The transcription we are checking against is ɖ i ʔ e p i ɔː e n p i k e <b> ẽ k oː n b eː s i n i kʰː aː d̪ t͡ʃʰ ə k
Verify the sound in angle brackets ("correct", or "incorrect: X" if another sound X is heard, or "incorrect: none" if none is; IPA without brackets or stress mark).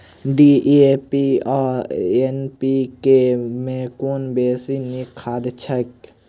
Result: incorrect: m